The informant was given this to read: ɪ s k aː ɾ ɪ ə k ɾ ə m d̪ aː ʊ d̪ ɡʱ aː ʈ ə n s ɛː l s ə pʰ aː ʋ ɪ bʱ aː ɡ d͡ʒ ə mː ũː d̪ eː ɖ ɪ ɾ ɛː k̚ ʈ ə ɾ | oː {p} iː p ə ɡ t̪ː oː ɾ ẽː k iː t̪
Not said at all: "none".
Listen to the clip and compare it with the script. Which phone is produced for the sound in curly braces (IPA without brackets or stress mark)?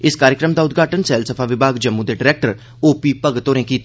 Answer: p